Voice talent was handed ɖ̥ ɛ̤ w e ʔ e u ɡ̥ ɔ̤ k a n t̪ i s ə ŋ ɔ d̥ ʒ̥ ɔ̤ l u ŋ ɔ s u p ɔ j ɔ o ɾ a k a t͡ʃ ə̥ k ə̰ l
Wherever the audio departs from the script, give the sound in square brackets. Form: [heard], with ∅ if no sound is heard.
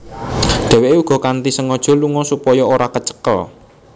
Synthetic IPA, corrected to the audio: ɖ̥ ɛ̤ w e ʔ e u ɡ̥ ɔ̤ k a n t̪ i s ə ŋ ɔ d̥ ʒ̥ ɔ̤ l u ŋ ɔ s u p ɔ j ɔ o ɾ a k [ə] t͡ʃ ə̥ k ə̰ l